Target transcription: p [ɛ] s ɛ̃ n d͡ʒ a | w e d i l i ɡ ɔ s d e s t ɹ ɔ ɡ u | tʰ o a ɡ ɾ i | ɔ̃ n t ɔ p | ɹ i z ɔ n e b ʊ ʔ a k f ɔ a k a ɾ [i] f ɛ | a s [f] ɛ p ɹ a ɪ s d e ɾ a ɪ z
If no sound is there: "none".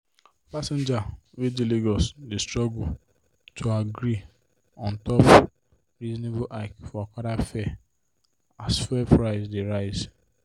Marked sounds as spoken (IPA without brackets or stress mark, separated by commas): a, a, f